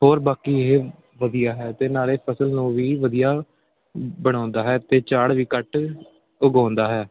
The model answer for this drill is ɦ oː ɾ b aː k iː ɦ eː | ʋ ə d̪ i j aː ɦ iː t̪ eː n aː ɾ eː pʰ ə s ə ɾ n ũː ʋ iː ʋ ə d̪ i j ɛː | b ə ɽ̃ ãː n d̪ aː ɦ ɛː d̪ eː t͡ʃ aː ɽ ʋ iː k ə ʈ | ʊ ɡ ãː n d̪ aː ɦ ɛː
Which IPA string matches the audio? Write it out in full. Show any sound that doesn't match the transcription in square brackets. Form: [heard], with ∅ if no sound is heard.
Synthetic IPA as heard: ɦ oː ɾ b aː k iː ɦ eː | ʋ ə d̪ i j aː ɦ [ɛː] t̪ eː n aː ɾ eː pʰ ə s ə [l] n ũː ʋ iː ʋ ə d̪ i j [aː] | b ə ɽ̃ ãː n d̪ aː ɦ ɛː [t̪] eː t͡ʃ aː ɽ ʋ iː k ə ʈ | ʊ ɡ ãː n d̪ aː ɦ ɛː